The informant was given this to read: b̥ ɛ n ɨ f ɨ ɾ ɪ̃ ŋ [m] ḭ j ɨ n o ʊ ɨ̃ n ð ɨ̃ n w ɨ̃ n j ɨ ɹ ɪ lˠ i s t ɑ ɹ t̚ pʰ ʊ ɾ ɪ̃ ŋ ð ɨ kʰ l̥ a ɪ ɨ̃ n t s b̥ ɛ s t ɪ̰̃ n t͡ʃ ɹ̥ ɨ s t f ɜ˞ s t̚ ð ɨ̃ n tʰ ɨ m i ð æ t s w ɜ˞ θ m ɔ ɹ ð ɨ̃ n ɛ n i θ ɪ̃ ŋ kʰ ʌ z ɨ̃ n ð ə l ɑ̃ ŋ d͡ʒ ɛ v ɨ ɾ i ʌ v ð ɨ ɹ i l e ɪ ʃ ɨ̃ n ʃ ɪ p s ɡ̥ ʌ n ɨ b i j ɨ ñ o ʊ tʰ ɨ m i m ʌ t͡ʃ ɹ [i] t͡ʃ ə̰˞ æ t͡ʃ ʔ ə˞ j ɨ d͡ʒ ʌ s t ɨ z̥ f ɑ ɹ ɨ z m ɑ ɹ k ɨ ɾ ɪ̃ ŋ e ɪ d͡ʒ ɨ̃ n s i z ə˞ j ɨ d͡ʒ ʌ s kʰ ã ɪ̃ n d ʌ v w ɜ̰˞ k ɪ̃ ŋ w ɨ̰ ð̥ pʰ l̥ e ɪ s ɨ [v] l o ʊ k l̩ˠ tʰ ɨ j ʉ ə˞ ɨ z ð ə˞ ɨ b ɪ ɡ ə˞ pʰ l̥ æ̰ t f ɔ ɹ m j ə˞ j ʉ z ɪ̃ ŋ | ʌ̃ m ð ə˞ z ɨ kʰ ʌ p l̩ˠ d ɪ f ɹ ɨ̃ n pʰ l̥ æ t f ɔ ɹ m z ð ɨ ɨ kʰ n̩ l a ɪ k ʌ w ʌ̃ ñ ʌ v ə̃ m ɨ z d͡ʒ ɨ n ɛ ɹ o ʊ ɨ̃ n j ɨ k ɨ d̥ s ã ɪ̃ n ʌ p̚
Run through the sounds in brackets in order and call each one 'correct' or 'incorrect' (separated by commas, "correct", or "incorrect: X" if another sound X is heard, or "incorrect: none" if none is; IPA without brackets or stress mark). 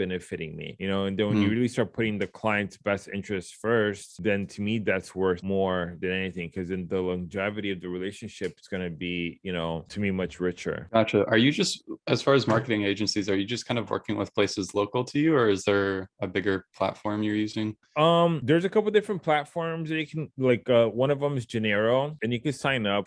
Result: correct, incorrect: ɪ, incorrect: z